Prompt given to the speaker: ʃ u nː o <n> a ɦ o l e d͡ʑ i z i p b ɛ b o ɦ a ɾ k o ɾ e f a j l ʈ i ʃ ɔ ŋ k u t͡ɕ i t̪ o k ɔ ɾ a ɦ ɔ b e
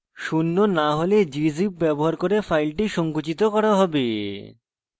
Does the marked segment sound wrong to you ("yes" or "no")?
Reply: no